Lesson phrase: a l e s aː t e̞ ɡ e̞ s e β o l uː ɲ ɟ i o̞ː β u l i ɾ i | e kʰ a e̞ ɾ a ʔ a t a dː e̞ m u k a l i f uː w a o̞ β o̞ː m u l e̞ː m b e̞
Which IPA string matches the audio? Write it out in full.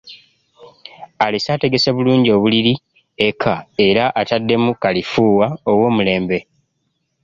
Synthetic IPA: a l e s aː t e̞ ɡ e̞ s e β u l uː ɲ ɟ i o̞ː β u l i ɾ i | e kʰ a e̞ ɾ a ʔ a t a dː e̞ m u k a l i f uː w a o̞ w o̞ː m u l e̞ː m b e̞